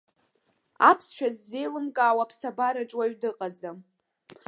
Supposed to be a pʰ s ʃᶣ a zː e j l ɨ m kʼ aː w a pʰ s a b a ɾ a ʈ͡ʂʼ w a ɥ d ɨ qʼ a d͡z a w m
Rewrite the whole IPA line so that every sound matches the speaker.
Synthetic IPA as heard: a pʰ s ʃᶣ a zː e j l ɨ m kʼ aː w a pʰ s a b a ɾ a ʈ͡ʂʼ w a ɥ d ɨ qʼ a d͡z a m